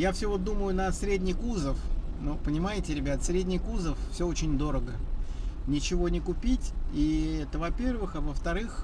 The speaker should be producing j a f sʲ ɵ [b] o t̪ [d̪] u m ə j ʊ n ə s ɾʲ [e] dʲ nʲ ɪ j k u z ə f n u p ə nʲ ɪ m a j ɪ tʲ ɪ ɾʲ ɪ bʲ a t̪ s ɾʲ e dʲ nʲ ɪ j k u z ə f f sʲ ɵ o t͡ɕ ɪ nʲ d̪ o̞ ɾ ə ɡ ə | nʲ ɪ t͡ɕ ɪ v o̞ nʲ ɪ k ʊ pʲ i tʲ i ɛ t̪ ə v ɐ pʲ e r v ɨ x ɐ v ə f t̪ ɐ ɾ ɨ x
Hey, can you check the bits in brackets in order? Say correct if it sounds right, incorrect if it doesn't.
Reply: incorrect: v, correct, correct

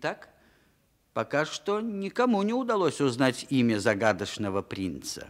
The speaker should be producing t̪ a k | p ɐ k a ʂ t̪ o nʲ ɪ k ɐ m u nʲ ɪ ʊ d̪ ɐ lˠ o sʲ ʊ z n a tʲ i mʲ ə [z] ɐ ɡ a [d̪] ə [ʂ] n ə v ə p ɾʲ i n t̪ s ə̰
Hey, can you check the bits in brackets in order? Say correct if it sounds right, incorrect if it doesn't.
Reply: correct, correct, correct

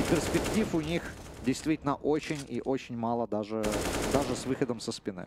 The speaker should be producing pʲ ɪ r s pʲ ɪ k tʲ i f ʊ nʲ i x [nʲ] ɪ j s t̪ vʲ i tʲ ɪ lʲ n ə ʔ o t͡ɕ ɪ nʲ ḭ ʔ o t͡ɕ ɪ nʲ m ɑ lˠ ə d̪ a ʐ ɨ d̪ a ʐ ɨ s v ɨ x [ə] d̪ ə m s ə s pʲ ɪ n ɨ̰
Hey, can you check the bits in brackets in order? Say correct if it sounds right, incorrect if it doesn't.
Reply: incorrect: dʲ, correct

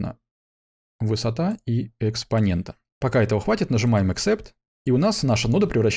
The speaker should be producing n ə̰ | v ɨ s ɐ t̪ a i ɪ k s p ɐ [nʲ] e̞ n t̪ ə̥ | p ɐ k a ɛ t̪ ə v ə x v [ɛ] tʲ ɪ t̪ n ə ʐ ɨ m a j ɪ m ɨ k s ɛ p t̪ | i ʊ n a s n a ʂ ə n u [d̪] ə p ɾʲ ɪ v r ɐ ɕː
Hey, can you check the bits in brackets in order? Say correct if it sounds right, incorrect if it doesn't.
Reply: correct, incorrect: a, correct

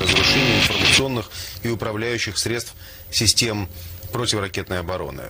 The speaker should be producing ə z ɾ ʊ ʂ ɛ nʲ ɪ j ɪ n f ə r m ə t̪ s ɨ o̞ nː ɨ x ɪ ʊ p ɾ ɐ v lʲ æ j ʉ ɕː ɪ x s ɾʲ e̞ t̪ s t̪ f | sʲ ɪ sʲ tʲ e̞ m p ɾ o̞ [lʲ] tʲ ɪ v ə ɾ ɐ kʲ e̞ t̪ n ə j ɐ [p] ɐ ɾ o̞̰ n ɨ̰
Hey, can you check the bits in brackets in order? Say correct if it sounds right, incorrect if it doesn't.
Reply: incorrect: none, incorrect: b

